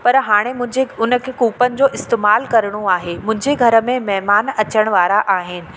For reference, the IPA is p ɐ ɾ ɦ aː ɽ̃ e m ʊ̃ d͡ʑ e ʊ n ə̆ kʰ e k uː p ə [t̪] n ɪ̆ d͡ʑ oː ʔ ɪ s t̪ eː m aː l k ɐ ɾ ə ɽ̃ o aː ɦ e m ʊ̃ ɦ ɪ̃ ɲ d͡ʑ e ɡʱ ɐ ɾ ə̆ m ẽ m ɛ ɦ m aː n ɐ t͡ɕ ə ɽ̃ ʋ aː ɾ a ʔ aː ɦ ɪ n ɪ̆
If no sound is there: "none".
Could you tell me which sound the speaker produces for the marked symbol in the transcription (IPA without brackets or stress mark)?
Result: none